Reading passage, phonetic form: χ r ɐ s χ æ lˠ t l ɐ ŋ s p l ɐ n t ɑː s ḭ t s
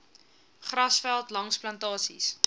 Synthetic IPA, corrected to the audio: χ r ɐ s f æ lˠ t l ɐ ŋ s p l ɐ n t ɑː s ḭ s